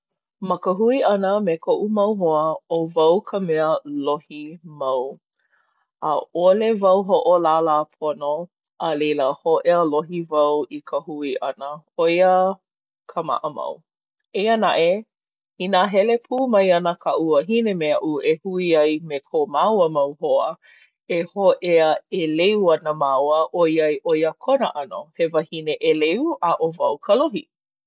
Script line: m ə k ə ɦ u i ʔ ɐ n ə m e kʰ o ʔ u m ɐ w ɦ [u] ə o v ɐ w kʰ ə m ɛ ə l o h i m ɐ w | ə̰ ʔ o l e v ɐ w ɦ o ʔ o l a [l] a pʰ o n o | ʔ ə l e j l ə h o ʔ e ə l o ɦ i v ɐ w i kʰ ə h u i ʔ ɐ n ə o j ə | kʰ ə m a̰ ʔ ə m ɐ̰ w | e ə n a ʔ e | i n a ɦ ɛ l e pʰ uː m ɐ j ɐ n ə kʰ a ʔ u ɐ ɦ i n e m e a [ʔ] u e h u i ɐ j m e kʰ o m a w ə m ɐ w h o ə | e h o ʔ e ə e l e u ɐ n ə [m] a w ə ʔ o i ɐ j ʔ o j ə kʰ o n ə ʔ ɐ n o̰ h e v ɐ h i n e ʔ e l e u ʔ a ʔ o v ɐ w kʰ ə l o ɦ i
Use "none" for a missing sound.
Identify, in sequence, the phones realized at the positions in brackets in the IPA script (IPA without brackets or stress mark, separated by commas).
o, l, ʔ, m